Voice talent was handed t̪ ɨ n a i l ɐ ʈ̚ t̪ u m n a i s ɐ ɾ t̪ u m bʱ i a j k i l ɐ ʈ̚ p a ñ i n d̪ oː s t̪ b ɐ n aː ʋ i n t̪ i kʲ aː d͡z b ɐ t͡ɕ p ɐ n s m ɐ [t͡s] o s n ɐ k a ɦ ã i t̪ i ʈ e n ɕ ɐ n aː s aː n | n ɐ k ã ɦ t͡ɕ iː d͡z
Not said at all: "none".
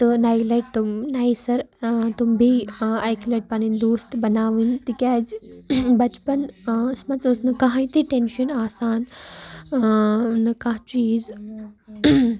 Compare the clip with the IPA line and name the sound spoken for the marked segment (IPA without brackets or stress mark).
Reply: t͡s